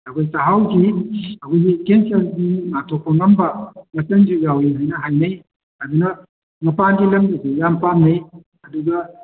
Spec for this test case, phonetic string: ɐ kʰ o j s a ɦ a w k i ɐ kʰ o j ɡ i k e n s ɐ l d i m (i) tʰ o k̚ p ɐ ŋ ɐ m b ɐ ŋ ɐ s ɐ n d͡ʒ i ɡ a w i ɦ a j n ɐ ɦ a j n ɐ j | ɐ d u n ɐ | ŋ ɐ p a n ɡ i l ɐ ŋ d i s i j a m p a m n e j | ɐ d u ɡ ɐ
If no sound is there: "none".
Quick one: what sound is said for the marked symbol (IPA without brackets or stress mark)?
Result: a